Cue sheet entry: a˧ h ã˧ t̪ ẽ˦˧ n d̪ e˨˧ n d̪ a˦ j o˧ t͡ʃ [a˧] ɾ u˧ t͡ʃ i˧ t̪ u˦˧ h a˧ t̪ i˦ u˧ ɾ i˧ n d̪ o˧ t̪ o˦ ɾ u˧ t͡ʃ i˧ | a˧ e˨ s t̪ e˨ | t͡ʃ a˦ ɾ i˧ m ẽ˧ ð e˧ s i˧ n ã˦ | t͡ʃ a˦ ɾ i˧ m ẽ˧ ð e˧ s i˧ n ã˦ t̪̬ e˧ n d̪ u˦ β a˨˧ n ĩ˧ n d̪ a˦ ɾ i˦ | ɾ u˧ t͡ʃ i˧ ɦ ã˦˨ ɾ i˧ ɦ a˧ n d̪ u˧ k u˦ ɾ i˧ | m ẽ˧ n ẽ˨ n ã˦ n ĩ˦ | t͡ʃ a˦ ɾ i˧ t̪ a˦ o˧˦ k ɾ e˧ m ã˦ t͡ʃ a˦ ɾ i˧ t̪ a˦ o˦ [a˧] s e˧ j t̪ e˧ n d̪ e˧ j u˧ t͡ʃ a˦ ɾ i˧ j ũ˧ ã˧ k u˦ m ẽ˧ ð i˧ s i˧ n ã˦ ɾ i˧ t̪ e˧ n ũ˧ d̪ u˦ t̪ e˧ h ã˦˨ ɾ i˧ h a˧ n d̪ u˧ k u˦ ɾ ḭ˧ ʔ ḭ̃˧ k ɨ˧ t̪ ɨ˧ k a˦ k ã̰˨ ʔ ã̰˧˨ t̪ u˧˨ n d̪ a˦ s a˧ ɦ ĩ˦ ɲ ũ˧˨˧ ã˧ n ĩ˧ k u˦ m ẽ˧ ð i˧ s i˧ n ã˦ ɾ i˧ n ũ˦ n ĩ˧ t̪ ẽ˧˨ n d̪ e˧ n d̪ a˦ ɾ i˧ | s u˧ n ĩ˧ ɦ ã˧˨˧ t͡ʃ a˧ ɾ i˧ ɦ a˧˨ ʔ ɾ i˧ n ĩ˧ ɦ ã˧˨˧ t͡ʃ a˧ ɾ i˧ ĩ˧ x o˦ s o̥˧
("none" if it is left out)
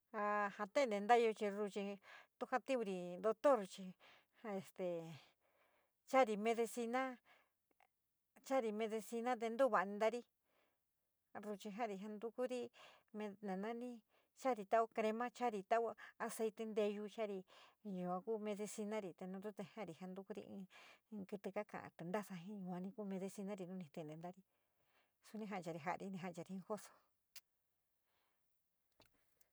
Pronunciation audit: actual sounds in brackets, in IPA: i˧, a˧

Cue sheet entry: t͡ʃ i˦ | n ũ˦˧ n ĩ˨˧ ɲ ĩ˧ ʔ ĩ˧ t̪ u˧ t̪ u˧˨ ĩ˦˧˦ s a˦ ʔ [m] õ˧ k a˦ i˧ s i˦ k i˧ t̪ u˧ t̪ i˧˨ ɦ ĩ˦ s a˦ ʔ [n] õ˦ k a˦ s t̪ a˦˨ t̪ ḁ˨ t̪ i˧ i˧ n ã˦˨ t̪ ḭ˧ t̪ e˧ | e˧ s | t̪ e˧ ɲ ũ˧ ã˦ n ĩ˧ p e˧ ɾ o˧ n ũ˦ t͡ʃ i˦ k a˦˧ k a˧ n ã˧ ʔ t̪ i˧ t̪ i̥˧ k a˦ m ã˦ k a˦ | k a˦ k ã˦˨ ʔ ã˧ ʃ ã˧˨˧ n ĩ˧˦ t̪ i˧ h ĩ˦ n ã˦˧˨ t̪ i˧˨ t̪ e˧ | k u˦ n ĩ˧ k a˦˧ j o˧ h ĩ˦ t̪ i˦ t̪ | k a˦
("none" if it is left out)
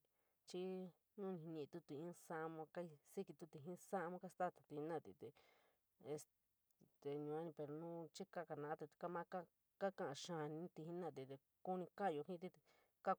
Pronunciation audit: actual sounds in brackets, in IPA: m, m

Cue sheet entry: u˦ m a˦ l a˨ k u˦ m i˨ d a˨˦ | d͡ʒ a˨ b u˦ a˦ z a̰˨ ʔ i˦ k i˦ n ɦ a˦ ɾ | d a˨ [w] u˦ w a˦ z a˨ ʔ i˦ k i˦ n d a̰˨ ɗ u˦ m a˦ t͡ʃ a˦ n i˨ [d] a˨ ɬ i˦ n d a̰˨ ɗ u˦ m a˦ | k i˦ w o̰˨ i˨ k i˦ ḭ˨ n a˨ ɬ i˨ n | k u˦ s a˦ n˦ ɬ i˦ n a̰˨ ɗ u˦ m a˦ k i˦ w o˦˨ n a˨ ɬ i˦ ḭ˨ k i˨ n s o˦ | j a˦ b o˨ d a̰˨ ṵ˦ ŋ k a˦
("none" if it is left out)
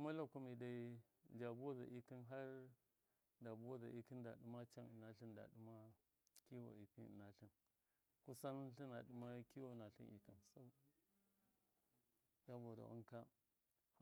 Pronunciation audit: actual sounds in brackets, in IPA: b, n

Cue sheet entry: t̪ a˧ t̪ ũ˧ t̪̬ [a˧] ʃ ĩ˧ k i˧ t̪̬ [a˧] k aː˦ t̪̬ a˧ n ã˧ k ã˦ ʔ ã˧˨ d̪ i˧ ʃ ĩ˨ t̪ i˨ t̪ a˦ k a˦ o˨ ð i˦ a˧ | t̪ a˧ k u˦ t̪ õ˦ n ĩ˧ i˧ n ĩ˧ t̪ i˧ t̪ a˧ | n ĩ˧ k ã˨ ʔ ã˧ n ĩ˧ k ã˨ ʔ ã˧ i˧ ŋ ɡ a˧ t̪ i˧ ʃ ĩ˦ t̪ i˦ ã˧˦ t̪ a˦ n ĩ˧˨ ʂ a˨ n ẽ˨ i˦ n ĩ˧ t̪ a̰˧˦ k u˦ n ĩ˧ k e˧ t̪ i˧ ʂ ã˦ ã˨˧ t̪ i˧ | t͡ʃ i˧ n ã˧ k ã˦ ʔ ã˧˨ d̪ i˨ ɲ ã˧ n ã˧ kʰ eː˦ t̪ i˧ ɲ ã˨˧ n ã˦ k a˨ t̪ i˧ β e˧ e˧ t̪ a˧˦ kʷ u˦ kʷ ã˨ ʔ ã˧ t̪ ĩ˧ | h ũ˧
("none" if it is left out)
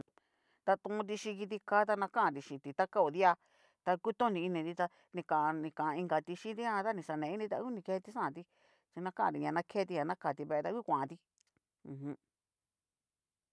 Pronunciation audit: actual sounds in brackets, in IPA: i˧, i˧

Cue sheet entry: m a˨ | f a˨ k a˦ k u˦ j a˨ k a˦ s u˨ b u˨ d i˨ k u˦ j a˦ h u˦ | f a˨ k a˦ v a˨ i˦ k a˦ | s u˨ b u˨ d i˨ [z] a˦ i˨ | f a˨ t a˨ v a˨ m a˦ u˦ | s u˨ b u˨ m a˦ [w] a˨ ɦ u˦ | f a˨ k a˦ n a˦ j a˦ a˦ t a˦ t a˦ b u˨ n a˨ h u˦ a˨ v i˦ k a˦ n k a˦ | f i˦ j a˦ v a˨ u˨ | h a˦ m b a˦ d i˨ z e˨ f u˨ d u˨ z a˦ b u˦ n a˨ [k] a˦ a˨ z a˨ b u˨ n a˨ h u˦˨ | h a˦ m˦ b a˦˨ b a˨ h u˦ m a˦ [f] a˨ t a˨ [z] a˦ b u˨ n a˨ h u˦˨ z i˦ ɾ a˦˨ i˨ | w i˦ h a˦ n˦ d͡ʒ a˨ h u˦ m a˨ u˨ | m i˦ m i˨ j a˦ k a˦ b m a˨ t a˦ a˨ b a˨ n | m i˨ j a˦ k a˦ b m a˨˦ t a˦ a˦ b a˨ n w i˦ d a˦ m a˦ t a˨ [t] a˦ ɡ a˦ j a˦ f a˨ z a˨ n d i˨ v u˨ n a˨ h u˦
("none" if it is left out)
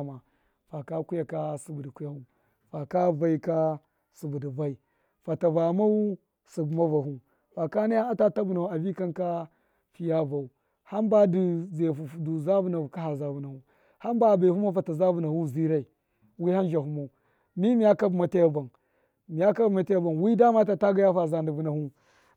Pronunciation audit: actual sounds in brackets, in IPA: v, v, k, f, z, t

